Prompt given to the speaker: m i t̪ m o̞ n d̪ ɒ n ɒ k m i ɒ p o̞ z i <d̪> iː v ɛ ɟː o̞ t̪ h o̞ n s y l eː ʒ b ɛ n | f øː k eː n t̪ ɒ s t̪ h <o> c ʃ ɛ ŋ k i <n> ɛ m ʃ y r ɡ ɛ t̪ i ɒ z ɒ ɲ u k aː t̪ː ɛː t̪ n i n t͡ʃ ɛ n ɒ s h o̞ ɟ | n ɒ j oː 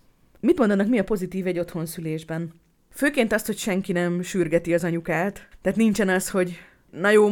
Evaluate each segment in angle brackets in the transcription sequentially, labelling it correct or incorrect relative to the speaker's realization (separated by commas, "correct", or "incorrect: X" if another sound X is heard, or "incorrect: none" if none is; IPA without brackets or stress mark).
incorrect: t̪, correct, correct